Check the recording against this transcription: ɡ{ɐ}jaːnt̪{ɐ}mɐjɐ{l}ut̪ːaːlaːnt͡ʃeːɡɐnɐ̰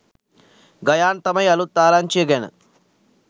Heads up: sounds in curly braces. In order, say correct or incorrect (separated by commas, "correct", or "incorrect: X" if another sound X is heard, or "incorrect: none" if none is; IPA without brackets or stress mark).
correct, correct, correct